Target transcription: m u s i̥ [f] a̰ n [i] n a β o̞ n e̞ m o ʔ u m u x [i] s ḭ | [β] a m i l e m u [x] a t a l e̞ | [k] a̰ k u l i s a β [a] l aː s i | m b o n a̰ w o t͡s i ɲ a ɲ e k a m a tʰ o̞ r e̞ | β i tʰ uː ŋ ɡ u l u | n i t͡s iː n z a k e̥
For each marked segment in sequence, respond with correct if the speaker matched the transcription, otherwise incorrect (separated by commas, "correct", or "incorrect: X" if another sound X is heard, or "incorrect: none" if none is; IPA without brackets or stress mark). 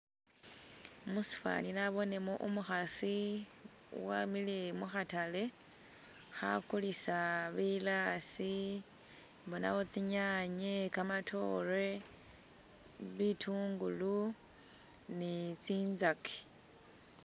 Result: correct, correct, incorrect: a, incorrect: w, correct, incorrect: x, incorrect: i